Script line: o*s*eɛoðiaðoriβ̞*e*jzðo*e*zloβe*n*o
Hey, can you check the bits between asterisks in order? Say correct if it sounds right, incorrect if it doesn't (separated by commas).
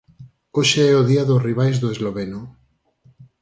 incorrect, incorrect, correct, correct